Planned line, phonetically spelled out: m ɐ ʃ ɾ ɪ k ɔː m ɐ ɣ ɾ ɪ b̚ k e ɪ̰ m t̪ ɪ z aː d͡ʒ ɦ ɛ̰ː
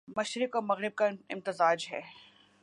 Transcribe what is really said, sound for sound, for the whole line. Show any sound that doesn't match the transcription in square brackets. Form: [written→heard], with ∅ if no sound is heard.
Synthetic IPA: m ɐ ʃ ɾ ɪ k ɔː m ɐ ɣ ɾ ɪ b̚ k [e→a] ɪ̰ m t̪ ɪ z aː d͡ʒ ɦ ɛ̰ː